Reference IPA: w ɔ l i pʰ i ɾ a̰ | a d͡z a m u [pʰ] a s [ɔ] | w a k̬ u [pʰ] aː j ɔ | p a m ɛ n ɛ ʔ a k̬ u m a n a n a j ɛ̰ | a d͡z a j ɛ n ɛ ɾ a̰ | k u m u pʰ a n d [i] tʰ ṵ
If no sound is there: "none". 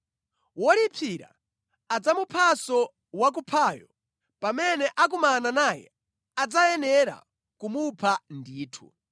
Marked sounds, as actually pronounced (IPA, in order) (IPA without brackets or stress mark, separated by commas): pʰ, ɔ, pʰ, iː